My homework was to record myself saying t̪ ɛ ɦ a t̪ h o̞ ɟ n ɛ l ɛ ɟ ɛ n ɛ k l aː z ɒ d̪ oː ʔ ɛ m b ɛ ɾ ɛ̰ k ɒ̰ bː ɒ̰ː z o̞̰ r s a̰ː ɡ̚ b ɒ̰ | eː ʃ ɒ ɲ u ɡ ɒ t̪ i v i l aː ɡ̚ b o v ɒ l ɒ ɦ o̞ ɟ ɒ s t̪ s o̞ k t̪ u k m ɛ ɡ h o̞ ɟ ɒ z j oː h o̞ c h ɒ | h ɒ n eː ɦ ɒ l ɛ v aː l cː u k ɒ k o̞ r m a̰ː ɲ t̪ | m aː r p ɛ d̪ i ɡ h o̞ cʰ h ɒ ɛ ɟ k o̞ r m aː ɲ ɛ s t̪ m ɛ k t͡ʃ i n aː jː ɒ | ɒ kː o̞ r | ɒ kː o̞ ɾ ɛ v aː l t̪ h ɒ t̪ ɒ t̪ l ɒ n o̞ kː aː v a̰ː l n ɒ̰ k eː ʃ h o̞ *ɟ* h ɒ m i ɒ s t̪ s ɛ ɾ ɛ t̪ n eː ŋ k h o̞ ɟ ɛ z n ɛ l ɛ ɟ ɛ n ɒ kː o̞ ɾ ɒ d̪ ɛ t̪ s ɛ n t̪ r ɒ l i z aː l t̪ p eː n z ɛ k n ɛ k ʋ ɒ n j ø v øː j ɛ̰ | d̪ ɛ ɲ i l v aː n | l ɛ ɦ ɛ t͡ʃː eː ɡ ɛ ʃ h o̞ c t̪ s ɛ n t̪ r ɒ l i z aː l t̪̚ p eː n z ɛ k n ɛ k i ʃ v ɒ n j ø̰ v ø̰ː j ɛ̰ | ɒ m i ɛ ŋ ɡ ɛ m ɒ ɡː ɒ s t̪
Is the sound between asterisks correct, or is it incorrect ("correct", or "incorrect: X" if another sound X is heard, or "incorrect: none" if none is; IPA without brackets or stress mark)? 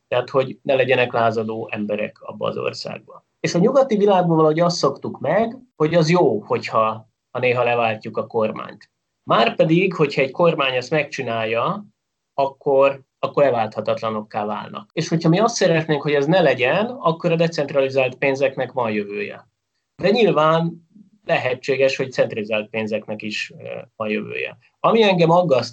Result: incorrect: c